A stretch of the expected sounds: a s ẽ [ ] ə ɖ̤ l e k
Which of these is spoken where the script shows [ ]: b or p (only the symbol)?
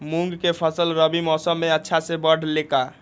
b